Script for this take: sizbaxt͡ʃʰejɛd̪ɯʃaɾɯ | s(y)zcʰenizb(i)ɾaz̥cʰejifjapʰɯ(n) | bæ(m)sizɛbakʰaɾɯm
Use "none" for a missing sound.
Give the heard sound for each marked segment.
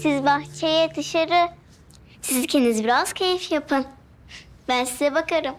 i, i, n, n

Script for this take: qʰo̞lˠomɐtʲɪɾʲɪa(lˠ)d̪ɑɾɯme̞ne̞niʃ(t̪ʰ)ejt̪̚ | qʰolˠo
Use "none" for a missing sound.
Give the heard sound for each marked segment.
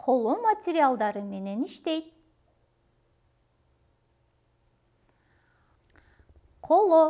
lˠ, t̪

